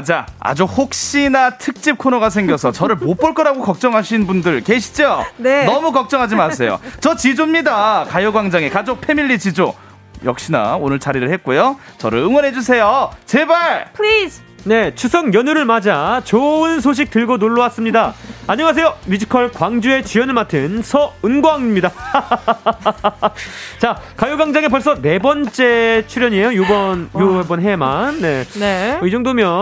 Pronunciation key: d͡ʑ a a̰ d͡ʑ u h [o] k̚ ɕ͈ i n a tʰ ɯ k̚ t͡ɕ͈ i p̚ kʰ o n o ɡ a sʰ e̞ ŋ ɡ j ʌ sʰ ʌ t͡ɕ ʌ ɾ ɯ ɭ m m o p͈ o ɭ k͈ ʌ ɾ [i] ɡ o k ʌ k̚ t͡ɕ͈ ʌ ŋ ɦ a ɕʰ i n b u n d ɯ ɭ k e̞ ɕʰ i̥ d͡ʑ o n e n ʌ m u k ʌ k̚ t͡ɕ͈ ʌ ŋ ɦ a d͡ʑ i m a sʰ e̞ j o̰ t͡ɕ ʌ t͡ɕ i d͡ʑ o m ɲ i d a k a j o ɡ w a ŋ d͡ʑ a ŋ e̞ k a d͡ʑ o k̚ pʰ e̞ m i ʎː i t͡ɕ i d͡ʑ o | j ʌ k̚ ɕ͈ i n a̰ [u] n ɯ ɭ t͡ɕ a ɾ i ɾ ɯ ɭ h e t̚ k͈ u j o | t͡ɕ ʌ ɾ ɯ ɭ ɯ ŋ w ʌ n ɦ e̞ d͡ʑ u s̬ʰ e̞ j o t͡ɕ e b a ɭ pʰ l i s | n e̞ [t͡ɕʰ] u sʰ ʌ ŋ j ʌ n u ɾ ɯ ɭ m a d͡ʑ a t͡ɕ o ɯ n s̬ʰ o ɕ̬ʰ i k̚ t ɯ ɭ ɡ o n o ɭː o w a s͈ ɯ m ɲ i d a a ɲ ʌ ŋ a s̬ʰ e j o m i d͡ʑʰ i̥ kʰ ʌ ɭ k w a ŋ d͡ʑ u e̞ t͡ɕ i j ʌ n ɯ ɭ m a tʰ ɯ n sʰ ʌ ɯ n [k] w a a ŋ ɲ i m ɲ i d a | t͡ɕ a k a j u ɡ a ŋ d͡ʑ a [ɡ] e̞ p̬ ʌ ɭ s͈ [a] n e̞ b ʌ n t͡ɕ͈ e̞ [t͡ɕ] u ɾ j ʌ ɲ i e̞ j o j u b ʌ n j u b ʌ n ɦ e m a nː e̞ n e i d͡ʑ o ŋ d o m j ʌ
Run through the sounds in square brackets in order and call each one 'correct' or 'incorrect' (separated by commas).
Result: correct, incorrect, incorrect, correct, incorrect, incorrect, incorrect, incorrect